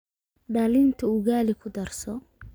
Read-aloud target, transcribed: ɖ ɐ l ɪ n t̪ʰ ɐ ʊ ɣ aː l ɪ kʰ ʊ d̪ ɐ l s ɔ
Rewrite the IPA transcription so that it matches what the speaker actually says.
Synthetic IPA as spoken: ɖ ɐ l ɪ n t̪ʰ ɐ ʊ ɣ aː l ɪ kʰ ʊ d̪ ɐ r s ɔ

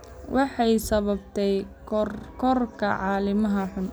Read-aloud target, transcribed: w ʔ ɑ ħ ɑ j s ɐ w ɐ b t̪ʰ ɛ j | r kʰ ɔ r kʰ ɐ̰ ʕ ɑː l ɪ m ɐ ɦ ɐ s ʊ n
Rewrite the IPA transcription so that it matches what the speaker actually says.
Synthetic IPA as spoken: w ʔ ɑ ħ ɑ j s ɐ β ɐ b t̪ʰ ɛ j | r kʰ ɔ r kʰ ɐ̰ ʕ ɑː l ɪ m ɐ ɦ ɐ ħ ʊ n

